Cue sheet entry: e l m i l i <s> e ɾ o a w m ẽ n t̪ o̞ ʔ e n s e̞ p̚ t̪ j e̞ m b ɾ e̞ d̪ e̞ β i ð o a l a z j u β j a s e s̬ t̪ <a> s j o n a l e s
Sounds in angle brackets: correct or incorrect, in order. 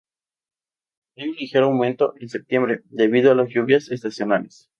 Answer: incorrect, correct

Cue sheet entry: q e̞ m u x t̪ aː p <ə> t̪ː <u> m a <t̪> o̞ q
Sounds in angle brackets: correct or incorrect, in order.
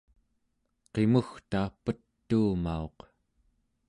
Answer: correct, incorrect, incorrect

